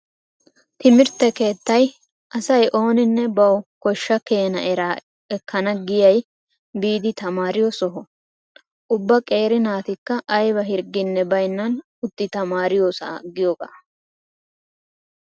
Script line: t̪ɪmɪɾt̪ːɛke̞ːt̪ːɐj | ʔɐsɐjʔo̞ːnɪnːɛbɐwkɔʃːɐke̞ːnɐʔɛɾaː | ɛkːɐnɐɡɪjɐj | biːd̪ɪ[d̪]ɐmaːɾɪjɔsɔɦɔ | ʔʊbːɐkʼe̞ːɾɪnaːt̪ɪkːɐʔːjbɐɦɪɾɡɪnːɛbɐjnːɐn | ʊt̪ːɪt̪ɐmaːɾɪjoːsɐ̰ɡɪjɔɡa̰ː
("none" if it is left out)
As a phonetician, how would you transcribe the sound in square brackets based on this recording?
t̪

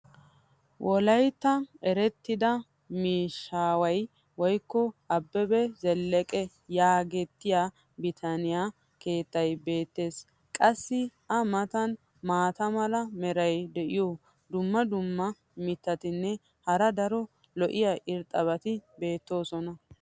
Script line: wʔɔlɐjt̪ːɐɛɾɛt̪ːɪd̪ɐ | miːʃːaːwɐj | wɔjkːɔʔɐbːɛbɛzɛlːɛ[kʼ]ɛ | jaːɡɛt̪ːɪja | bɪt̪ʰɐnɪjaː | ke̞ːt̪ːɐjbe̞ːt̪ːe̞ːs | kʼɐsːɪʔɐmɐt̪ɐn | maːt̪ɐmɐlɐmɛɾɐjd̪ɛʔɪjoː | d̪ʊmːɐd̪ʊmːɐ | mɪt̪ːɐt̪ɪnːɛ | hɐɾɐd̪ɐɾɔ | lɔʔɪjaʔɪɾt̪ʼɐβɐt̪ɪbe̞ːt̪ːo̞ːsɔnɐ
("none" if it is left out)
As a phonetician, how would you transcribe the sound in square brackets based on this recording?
kʼ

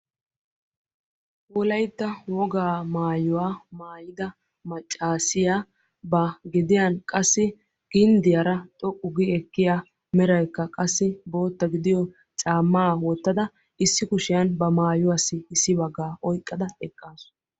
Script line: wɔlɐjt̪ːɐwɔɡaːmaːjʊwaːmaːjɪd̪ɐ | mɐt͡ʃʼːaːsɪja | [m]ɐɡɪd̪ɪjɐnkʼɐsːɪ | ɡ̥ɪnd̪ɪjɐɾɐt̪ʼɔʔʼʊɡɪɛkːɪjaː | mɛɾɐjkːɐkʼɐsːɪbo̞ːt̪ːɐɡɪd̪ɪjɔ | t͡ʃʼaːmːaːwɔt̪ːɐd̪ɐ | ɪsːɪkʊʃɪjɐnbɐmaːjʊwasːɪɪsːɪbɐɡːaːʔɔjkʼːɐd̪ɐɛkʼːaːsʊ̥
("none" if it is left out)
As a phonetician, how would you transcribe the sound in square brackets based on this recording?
b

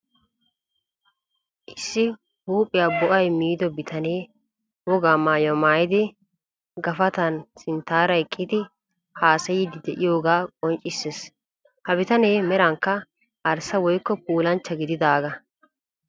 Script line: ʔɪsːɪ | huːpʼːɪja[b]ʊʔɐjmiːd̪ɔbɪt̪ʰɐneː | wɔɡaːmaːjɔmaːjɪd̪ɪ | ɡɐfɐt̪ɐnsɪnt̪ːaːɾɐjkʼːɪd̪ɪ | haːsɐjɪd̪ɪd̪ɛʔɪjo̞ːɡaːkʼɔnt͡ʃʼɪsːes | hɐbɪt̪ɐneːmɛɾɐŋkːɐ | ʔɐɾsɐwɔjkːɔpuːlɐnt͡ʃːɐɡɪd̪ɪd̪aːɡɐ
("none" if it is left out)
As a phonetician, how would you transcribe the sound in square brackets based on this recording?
b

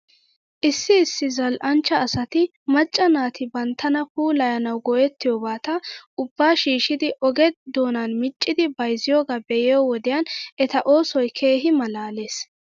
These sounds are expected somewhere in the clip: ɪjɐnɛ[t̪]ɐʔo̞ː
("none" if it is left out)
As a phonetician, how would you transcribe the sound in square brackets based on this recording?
t̪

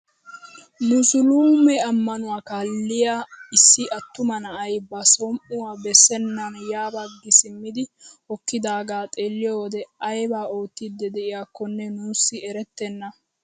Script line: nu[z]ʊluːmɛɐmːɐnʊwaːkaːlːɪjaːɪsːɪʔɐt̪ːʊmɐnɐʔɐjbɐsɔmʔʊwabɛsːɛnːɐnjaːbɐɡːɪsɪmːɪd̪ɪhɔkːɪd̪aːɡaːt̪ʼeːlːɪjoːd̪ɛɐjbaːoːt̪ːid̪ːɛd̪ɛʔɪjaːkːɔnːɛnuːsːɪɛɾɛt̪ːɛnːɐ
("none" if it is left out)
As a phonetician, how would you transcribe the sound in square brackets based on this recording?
s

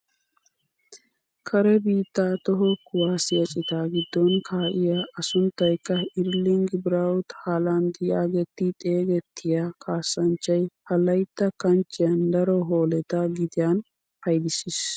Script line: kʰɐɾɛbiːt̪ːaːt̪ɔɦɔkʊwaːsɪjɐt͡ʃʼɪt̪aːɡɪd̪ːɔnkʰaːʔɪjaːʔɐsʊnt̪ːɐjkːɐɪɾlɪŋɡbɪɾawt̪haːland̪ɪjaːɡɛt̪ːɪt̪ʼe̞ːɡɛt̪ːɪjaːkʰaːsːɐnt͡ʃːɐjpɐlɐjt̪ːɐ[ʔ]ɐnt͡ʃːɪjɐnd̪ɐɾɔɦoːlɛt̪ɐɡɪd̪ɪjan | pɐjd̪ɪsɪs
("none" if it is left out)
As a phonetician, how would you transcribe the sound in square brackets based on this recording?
k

